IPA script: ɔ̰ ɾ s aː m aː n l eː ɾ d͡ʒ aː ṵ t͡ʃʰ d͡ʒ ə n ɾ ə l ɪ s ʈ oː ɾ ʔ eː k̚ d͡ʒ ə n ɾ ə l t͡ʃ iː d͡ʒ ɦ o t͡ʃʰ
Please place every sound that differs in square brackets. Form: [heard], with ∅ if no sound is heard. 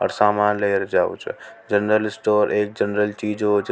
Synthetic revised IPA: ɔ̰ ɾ s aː m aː n l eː ɾ d͡ʒ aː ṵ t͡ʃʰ d͡ʒ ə n ɾ ə l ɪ s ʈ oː ɾ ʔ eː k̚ d͡ʒ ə n ɾ ə l t͡ʃ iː d͡ʒ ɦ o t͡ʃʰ

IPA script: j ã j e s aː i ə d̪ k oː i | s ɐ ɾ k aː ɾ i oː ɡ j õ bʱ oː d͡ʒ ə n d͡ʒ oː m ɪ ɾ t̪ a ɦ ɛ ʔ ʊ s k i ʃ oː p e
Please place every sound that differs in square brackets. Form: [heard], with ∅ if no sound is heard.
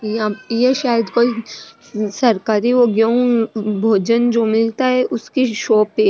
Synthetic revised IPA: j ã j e [ʃ] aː [j] ə d̪ k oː i | s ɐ ɾ k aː ɾ i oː ɡ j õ bʱ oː d͡ʒ ə n d͡ʒ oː m ɪ [l] t̪ a ɦ ɛ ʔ ʊ s k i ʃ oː p e

